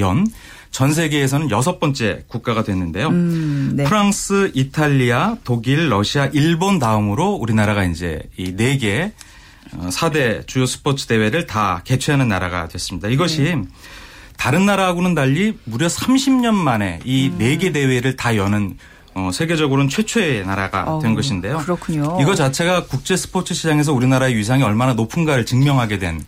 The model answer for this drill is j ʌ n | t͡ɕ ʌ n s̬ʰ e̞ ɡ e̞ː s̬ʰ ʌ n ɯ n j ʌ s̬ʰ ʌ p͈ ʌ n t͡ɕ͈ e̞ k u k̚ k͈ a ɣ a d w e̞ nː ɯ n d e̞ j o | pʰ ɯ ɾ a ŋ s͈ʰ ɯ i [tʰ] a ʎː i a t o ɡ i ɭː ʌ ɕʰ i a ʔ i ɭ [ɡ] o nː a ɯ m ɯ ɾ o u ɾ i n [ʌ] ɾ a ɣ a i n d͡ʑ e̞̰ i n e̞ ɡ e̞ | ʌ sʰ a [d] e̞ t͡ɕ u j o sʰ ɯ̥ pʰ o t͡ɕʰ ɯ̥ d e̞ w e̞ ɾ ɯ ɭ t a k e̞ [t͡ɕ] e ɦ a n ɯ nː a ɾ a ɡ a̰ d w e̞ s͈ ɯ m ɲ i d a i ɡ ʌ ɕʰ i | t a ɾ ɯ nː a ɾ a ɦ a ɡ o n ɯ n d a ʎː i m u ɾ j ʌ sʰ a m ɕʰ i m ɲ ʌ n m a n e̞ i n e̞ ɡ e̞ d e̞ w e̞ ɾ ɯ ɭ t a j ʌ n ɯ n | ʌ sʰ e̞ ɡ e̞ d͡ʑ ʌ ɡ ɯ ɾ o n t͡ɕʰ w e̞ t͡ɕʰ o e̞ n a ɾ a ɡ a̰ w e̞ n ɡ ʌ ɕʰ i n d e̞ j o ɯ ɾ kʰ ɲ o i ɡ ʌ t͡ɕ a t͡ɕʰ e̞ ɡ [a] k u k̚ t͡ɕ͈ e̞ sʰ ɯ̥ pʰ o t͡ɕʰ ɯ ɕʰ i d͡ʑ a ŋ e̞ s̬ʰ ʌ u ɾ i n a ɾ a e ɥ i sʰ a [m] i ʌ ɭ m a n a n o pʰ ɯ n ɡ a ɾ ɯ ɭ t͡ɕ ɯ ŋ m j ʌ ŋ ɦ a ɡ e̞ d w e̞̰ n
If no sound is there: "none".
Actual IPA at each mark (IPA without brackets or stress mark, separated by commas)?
tʰ, b, a, d, t͡ɕʰ, a, ŋ